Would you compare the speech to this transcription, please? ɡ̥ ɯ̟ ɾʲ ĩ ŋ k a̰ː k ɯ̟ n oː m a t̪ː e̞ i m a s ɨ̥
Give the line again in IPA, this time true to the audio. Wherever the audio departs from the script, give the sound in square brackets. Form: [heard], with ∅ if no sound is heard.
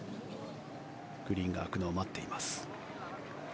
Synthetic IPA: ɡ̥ ɯ̟ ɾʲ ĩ ŋ [ɡ] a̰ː k ɯ̟ n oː m a t̪ː e̞ i m a s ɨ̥